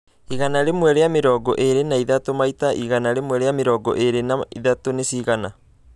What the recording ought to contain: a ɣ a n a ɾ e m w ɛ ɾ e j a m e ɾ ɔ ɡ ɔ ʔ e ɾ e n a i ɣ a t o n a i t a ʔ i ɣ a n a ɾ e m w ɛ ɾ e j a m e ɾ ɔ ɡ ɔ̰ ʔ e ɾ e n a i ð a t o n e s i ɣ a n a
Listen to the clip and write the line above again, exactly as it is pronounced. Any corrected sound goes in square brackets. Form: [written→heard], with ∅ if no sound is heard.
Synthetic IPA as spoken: [a→i] ɣ a n a ɾ e m w ɛ ɾ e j a m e ɾ ɔ ɡ ɔ ʔ e ɾ e n a i [ɣ→ð] a t o [n→m] a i t a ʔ i ɣ a n a ɾ e m w ɛ ɾ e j a m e ɾ ɔ ɡ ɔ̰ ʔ e ɾ e n a i ð a t o n e s i ɣ a n a